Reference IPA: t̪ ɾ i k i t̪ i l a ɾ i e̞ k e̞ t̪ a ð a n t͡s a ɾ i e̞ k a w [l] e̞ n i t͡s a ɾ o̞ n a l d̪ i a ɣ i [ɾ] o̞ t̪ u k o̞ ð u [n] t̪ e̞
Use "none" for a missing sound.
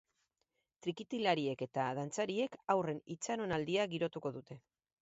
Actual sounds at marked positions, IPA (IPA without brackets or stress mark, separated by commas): r, ɾ, none